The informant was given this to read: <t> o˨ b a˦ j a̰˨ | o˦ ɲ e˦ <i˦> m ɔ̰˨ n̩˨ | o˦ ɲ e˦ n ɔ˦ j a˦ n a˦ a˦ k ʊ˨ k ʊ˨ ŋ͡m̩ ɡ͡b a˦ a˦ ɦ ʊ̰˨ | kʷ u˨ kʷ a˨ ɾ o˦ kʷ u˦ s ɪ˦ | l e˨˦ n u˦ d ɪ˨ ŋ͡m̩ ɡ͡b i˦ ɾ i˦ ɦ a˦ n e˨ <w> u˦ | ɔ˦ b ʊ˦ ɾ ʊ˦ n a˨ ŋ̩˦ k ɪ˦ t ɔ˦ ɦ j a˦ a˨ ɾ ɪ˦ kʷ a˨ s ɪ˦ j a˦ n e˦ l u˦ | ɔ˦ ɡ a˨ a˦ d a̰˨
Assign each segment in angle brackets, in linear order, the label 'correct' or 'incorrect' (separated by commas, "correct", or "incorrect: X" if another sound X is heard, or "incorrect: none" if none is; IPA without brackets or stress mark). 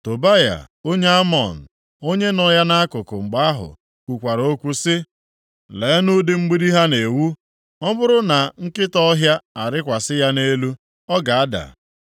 correct, incorrect: a˦, correct